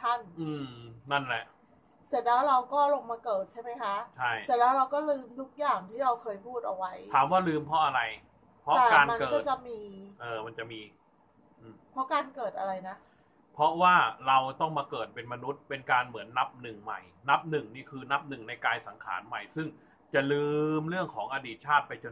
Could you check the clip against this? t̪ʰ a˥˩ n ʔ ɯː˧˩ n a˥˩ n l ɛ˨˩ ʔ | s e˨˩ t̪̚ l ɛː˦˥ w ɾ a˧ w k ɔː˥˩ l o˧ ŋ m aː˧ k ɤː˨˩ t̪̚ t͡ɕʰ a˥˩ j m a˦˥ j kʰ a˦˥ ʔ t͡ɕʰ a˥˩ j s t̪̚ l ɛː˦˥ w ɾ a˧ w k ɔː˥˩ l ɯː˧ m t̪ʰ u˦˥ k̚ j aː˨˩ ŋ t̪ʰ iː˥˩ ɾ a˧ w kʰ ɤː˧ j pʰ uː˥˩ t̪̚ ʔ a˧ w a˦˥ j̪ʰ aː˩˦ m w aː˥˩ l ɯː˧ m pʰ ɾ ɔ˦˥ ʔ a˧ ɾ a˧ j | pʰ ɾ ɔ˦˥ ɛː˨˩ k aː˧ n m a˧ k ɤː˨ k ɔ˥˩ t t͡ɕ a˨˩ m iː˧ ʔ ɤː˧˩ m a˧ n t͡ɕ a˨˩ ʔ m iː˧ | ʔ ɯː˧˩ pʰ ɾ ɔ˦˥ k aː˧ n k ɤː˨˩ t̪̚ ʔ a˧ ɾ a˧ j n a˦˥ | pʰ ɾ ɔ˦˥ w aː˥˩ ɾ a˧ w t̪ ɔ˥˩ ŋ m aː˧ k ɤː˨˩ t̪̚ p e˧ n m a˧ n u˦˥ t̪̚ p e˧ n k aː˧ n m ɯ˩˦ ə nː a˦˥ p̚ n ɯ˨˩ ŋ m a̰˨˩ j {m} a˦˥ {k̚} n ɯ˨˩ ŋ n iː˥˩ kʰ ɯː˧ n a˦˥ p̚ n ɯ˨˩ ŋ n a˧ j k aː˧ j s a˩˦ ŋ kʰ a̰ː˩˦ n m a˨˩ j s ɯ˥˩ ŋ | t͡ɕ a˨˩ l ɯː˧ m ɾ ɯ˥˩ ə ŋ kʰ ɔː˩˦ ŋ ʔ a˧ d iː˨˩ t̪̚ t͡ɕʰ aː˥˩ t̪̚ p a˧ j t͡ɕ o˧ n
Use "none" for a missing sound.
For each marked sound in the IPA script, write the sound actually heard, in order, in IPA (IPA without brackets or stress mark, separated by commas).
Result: n, p̚